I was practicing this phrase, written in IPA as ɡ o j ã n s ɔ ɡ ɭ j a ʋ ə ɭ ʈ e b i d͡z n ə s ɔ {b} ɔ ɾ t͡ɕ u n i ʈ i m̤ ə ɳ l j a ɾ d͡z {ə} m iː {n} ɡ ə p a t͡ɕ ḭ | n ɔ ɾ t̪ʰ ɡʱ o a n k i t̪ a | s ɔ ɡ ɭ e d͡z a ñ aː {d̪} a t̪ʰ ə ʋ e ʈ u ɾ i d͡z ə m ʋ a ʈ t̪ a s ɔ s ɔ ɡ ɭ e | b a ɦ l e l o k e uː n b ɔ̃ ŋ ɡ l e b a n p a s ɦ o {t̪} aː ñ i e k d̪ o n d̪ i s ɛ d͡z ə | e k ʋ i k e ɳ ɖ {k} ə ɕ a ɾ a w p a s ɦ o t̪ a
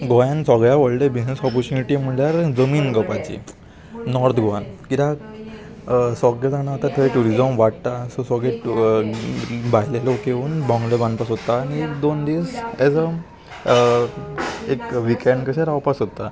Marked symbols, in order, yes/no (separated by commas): no, yes, yes, no, yes, yes